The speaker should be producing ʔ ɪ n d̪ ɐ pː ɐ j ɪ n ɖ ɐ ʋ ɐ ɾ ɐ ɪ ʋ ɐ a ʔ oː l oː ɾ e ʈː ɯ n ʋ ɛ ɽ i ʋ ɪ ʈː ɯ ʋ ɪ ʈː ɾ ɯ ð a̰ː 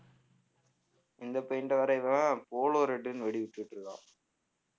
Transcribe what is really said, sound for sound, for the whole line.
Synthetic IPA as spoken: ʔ ɪ n d̪ ɐ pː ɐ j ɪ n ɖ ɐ ʋ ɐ ɾ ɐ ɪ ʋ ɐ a p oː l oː ɾ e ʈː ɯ n ʋ ɛ ɽ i ʋ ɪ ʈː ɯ ʋ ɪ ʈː ɾ ɯ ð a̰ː